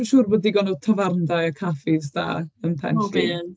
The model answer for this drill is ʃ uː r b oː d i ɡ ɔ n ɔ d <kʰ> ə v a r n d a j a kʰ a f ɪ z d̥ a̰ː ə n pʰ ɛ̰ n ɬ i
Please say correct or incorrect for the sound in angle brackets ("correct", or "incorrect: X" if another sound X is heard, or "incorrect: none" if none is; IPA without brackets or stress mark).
incorrect: tʰ